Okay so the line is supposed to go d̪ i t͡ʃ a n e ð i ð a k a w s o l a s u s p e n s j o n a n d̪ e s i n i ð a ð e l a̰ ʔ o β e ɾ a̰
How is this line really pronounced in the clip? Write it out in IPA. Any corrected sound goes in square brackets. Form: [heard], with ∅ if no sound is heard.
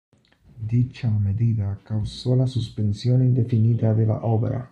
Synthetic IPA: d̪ i t͡ʃ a [m] e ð i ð a k a w s o l a s u s p e n s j o n [i] n d̪ e [f] i n i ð a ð e l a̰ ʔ o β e ɾ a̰